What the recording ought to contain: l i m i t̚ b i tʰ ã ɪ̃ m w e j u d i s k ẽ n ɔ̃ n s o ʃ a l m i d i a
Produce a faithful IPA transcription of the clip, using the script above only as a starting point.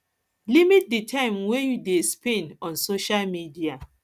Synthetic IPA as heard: l i m i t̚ d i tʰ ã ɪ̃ m w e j u d e s p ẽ n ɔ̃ n s o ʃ a l m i d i a